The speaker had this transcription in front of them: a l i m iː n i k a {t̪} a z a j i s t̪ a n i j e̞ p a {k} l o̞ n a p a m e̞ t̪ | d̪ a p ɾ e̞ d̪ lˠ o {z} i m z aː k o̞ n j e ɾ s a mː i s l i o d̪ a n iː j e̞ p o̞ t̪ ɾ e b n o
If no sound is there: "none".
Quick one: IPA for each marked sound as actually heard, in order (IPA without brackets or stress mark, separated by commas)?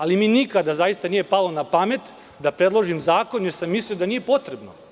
d̪, none, ʒ